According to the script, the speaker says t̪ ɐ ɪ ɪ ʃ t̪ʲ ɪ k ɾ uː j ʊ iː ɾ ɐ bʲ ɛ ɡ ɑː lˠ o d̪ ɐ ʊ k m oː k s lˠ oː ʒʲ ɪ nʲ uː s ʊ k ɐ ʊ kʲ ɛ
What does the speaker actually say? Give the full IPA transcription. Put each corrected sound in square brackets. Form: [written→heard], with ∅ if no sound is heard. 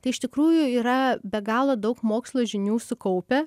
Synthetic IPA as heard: t̪ ɐ ɪ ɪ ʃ t̪ʲ ɪ k ɾ uː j ʊ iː ɾ ɐ bʲ ɛ ɡ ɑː lˠ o d̪ ɐ ʊ k m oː k s lˠ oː ʒʲ ɪ nʲ uː s ʊ k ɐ ʊ [kʲ→pʲ] ɛ